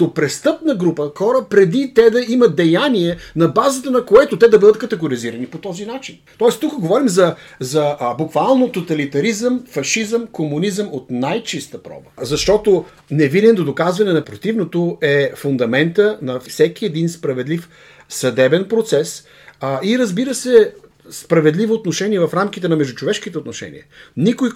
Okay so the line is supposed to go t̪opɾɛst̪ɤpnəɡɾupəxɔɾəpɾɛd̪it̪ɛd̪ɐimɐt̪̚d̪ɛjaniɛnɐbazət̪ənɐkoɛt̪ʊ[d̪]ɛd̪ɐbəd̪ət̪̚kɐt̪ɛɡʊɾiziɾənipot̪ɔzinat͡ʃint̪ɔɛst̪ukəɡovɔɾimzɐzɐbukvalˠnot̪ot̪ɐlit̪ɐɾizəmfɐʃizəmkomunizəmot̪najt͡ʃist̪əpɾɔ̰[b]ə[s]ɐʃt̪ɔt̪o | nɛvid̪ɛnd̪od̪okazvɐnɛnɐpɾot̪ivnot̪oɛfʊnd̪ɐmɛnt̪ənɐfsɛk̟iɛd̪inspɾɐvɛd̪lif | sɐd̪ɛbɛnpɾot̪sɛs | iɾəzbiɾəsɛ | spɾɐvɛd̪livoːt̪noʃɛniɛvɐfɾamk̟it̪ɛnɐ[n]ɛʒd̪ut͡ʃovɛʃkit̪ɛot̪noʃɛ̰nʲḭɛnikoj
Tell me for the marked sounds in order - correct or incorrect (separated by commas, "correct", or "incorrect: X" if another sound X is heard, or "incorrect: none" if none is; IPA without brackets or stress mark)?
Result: incorrect: t̪, correct, incorrect: z, incorrect: m